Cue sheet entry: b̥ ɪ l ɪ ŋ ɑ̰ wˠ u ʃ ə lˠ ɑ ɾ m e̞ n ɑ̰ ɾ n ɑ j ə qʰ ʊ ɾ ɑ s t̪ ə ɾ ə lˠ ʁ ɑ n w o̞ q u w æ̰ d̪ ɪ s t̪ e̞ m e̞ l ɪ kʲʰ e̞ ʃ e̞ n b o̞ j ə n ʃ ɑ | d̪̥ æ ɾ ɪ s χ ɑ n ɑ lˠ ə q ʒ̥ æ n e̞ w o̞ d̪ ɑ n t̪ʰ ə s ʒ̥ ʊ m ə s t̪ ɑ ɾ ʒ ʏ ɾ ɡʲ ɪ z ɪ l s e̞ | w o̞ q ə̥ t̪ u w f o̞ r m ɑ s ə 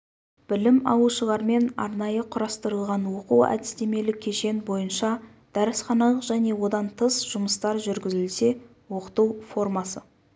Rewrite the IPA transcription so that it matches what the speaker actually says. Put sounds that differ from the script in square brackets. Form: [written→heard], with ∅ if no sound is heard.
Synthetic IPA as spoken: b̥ ɪ l ɪ [ŋ→m] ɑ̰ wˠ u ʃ ə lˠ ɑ ɾ m e̞ n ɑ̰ ɾ n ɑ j ə qʰ ʊ ɾ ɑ s t̪ ə ɾ ə lˠ ʁ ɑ n w o̞ q u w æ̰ d̪ ɪ s t̪ e̞ m e̞ l ɪ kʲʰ e̞ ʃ e̞ n b o̞ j ə n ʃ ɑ | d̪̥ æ ɾ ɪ s χ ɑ n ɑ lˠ ə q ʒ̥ æ n e̞ w o̞ d̪ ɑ n t̪ʰ ə s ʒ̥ ʊ m ə s t̪ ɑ ɾ ʒ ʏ ɾ ɡʲ ɪ z ɪ l s e̞ | w o̞ q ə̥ t̪ u w f o̞ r m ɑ s ə